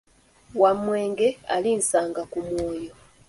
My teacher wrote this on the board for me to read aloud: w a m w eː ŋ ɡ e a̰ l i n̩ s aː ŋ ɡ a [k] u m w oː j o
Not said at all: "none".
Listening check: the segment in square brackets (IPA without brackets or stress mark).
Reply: k